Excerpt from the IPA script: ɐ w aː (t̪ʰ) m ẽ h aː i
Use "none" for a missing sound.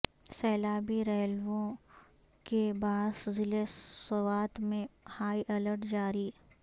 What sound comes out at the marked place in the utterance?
t̪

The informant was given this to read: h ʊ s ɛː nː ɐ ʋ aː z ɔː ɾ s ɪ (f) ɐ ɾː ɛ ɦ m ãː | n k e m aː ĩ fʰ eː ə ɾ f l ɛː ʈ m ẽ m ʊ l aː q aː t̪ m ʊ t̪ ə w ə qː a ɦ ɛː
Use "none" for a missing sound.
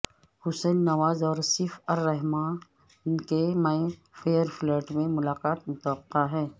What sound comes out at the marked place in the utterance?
f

